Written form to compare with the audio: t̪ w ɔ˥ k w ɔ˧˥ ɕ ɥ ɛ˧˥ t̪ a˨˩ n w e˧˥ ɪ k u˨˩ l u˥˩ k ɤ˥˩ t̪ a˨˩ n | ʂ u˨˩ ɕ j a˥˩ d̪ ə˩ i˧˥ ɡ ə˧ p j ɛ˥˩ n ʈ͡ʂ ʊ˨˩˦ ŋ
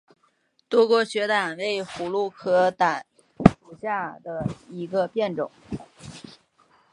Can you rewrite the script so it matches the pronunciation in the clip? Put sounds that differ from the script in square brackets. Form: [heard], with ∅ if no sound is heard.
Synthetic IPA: t̪ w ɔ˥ k w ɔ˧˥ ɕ ɥ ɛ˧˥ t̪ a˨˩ n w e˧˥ ɪ [x] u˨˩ l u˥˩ [kʰ] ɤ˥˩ t̪ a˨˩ n | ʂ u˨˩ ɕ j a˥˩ d̪ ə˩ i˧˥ ɡ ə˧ p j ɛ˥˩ n ʈ͡ʂ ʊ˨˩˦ ŋ